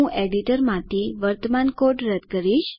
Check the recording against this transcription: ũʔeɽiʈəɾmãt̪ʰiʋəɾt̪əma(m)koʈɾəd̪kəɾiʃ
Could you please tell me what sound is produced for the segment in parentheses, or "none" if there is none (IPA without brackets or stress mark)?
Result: n